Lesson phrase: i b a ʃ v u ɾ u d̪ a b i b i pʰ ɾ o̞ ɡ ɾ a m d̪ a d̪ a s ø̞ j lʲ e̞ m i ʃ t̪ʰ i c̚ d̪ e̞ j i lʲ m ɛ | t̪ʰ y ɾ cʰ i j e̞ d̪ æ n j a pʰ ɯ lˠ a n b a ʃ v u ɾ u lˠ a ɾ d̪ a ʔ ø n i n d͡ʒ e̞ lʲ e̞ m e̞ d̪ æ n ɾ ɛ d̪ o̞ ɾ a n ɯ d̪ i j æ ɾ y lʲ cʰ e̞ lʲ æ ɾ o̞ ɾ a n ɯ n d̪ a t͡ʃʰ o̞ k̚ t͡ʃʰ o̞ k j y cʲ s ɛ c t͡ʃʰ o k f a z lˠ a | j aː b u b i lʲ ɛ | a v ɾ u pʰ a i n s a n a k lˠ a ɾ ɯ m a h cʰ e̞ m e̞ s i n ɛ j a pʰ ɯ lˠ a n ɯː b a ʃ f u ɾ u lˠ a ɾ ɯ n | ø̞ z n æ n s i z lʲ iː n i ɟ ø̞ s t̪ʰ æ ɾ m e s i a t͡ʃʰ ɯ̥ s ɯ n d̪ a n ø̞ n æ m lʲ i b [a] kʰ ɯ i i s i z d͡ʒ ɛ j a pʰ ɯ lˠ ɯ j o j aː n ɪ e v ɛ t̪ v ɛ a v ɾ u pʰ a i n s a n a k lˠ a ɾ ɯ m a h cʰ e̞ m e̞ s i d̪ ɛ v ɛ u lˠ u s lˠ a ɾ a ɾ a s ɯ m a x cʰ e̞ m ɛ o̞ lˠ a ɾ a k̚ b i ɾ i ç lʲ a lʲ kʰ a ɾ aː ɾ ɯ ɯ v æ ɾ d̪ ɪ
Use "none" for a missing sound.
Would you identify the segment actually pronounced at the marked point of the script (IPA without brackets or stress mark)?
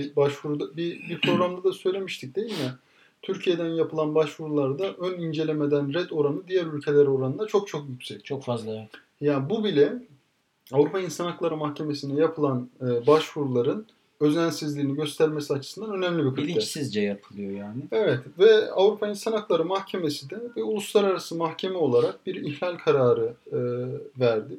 i